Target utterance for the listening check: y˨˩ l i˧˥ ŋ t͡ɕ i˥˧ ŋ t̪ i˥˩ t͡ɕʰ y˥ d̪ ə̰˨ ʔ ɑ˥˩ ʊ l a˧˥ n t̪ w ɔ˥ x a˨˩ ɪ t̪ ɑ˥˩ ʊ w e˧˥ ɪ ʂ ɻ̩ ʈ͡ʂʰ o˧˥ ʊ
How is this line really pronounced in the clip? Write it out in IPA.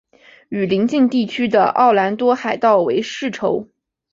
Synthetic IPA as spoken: y˨˩ l i˧˥ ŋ t͡ɕ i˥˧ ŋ t̪ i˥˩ t͡ɕʰ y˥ d̪ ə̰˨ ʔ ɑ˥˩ ʊ l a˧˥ n t̪ w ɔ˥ x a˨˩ ɪ t̪ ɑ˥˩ ʊ w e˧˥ ɪ ʂ ɻ̩ ʈ͡ʂʰ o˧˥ ʊ